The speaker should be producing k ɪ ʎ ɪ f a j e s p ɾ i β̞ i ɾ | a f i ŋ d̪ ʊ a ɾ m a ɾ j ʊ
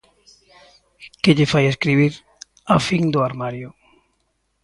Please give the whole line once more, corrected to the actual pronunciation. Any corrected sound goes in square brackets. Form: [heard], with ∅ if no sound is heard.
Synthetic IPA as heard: k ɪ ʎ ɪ f a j e s [k] ɾ i β̞ i ɾ | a f i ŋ d̪ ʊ a ɾ m a ɾ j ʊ